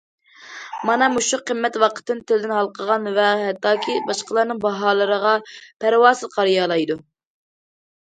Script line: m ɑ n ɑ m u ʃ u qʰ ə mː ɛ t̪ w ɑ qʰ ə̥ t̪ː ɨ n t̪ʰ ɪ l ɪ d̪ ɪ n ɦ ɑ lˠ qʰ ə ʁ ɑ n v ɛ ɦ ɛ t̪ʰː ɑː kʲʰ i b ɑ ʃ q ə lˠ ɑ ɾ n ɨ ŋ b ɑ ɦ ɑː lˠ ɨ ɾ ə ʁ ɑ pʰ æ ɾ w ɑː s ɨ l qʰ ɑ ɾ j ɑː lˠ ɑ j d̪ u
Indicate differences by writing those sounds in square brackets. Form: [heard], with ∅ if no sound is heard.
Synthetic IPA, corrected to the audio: m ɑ n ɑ m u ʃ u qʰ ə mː ɛ t̪ w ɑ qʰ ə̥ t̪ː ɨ n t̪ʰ ɪ l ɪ d̪ ɪ n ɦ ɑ lˠ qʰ ə ʁ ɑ n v ɛ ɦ ɛ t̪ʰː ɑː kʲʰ i b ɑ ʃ q ə lˠ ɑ ɾ n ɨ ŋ b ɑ ɦ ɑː lˠ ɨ ɾ ə ʁ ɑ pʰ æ ɾ w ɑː s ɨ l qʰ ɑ ɾ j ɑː lˠ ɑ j d̪ u

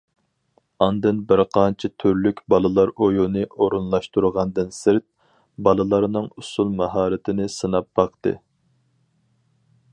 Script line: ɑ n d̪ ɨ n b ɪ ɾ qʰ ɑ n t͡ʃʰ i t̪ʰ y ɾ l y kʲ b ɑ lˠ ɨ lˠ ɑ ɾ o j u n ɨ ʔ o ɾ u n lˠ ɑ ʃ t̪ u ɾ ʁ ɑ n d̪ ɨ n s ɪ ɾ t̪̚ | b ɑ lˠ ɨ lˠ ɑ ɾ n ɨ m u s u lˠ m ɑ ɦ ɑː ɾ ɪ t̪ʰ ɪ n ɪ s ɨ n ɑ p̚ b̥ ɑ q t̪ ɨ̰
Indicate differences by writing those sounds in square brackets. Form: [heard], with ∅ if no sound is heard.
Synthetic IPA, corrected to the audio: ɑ n d̪ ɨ n b ɪ ɾ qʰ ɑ n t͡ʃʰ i t̪ʰ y ɾ l y kʲ b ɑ lˠ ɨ lˠ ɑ ɾ o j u n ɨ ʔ o ɾ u n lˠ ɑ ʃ t̪ u ɾ ʁ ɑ n d̪ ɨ n s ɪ ɾ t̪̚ | b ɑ lˠ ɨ lˠ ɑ ɾ n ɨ [ŋ] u s u lˠ m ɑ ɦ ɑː ɾ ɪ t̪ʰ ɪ n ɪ s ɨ n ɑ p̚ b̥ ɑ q t̪ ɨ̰

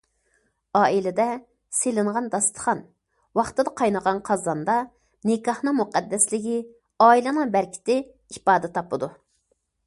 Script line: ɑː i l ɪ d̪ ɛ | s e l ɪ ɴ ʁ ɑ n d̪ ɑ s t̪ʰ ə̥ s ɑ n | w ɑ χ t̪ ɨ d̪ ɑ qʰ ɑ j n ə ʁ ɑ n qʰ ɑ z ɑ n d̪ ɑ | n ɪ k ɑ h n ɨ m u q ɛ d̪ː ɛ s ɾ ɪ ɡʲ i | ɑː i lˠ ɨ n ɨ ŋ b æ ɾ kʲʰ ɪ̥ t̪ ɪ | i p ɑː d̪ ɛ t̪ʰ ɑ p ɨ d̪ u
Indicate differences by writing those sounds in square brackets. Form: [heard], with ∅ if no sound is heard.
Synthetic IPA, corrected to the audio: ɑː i l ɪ d̪ ɛ | s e l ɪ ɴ ʁ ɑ n d̪ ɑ s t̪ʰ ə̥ [χ] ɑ n | w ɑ χ t̪ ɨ d̪ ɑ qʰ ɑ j n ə ʁ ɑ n qʰ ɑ z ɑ n d̪ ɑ | n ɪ k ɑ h n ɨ m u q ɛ d̪ː ɛ s [l] ɪ ɡʲ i | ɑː i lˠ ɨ n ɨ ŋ b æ ɾ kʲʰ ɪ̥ t̪ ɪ | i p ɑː d̪ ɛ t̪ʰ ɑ p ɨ d̪ u

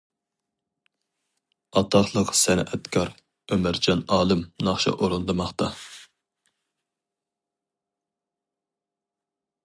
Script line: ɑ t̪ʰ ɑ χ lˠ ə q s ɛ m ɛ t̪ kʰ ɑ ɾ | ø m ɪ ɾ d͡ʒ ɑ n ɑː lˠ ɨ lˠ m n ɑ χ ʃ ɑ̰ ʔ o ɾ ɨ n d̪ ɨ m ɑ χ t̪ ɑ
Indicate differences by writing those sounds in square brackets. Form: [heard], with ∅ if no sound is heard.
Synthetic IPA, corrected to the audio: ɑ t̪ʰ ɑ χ lˠ ə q s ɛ [n] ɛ t̪ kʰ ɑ ɾ | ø m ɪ ɾ d͡ʒ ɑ n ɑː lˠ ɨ [∅] m n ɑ χ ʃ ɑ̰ ʔ o ɾ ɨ n d̪ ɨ m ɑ χ t̪ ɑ

